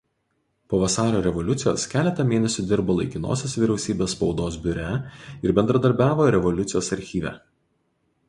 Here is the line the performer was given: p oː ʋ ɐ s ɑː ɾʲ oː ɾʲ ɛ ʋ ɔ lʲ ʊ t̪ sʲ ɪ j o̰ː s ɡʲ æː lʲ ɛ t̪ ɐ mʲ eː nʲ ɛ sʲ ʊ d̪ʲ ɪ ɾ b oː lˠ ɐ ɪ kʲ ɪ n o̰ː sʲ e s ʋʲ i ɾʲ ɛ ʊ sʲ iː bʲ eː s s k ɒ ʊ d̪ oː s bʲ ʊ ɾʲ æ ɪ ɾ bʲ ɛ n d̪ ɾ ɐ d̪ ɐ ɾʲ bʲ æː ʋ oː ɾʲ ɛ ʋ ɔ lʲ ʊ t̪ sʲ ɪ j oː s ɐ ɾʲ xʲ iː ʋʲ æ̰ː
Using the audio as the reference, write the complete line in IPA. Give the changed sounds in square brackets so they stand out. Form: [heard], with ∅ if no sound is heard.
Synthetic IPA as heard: p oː ʋ ɐ s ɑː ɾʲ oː ɾʲ ɛ ʋ ɔ lʲ ʊ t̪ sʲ ɪ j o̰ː s [kʲ] æː lʲ ɛ t̪ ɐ mʲ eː nʲ ɛ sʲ ʊ d̪ʲ ɪ ɾ b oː lˠ ɐ ɪ kʲ ɪ n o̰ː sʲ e s ʋʲ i ɾʲ ɛ ʊ sʲ iː bʲ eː s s [p] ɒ ʊ d̪ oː s bʲ ʊ ɾʲ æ ɪ ɾ bʲ ɛ n d̪ ɾ ɐ d̪ ɐ ɾʲ bʲ æː ʋ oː ɾʲ ɛ ʋ ɔ lʲ ʊ t̪ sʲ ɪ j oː s ɐ ɾʲ xʲ iː ʋʲ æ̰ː